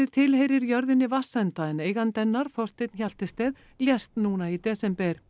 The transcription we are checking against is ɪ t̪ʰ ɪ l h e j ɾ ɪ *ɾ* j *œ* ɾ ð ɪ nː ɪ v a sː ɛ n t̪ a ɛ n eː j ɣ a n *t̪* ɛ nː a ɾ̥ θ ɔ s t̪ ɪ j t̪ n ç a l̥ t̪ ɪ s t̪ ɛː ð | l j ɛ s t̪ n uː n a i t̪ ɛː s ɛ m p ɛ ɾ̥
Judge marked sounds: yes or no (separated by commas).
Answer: yes, yes, yes